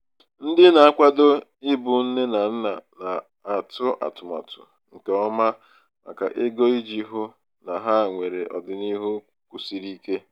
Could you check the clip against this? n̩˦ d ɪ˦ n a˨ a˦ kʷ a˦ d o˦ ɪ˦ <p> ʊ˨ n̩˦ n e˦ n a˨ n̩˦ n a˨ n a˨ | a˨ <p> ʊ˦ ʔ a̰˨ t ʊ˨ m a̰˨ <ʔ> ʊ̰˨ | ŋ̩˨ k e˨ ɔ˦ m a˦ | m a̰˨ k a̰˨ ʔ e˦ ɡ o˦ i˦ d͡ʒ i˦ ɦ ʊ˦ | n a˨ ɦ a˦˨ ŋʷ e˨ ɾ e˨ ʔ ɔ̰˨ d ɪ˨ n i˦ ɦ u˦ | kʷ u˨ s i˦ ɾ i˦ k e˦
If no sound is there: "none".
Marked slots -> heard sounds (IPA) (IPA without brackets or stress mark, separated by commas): b, t, t